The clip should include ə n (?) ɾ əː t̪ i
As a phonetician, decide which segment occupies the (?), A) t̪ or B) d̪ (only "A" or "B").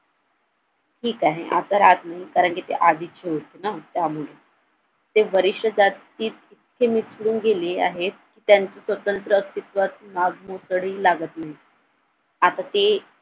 A